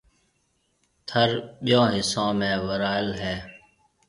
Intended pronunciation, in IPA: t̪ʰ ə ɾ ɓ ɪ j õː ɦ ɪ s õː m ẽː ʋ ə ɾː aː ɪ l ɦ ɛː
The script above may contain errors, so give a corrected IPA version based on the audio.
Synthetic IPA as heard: t̪ʰ ə ɾ ɓ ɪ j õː ɦ ɪ s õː m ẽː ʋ ə ɾ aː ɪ l ɦ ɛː